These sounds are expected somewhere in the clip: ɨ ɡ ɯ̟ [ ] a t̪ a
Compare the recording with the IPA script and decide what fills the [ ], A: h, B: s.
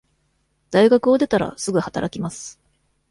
A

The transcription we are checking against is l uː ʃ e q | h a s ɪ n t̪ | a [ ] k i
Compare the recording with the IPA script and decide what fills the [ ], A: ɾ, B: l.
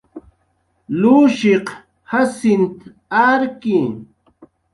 A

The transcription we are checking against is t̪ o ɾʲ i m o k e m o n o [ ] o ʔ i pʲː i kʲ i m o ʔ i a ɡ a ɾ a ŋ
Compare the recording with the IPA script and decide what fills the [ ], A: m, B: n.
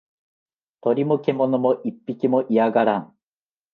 A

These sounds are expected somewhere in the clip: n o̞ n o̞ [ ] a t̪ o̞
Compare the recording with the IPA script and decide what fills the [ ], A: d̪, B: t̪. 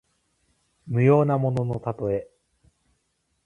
B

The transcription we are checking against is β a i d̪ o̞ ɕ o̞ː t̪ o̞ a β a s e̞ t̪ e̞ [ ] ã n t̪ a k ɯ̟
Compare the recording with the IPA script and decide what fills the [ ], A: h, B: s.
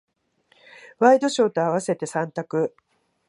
B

